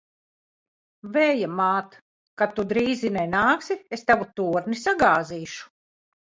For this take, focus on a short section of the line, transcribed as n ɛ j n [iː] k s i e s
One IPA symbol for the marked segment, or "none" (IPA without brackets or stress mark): aː